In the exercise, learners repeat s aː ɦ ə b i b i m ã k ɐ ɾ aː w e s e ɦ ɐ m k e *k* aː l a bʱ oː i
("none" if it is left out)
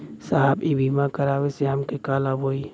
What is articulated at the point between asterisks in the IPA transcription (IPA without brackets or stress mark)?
k